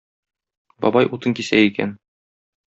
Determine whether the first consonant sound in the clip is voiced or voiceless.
voiced